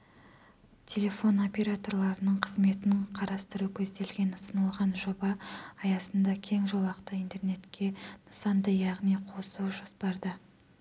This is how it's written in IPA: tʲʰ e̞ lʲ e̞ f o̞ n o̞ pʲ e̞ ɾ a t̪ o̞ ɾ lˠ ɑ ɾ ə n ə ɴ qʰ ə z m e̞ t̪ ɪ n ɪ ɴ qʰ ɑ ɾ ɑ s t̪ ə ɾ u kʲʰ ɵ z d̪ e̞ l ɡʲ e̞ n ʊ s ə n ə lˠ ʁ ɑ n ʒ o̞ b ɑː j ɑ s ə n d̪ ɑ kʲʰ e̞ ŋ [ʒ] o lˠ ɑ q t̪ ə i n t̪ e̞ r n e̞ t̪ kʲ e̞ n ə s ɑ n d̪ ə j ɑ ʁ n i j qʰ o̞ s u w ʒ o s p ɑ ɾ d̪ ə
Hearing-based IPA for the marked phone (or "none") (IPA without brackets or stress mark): ʒ